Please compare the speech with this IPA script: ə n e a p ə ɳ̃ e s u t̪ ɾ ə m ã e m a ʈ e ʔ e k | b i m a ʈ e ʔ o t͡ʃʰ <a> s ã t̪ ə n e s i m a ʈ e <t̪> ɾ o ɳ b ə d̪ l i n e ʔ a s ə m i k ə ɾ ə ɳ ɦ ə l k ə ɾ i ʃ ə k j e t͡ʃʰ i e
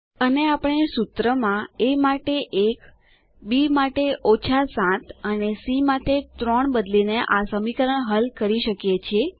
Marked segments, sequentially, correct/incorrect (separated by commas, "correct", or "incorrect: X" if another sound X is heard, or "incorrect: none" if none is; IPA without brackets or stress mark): correct, correct